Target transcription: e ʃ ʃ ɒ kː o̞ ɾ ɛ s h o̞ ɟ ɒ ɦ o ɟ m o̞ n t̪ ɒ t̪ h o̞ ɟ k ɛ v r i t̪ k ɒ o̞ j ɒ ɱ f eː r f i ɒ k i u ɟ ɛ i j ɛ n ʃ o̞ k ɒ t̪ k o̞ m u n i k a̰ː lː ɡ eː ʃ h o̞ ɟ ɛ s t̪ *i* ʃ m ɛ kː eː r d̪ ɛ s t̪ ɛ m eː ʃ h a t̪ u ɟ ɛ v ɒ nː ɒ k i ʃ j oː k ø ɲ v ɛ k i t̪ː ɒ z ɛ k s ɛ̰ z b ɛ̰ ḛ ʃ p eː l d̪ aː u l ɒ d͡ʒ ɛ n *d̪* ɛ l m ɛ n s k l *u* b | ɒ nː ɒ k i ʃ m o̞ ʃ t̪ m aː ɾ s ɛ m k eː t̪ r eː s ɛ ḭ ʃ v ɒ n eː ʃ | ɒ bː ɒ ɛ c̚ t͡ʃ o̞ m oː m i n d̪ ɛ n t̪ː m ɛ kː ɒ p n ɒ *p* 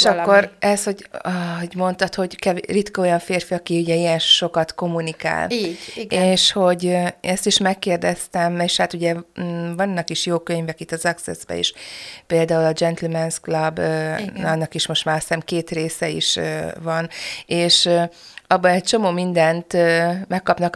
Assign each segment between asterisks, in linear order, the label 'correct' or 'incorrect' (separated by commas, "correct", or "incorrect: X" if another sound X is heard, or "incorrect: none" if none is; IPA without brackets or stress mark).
correct, incorrect: t̪, incorrect: ɒ, incorrect: k